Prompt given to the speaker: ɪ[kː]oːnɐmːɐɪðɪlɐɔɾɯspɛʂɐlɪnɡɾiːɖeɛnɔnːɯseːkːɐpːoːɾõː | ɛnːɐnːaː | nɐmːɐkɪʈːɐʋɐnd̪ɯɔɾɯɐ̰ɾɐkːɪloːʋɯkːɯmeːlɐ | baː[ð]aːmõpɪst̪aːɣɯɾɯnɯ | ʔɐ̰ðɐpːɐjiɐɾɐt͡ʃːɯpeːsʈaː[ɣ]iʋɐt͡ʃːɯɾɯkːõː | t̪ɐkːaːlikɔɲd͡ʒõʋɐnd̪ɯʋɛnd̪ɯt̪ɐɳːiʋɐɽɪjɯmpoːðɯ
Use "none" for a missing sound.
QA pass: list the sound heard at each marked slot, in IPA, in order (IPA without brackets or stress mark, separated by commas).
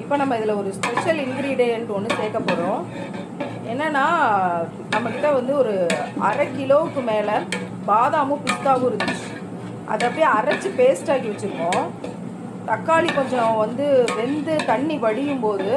pː, ð, ɣ